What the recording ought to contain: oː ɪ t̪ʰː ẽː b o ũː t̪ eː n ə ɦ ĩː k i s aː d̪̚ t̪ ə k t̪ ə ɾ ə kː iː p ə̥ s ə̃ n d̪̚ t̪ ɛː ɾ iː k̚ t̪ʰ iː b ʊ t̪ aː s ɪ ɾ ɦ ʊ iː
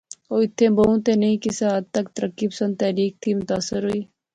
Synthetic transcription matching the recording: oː ɪ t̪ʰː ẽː b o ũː t̪ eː n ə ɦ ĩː k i s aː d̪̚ t̪ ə k t̪ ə ɾ ə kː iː p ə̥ s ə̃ n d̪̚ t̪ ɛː ɾ iː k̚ t̪ʰ iː m ʊ t̪ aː s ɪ ɾ ɦ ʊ iː